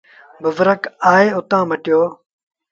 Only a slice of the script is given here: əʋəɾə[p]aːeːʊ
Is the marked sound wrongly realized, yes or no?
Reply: yes